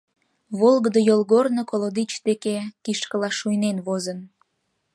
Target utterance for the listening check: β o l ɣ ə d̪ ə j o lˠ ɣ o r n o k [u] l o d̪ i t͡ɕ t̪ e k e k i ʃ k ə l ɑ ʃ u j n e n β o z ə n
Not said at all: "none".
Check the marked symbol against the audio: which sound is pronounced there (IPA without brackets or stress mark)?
o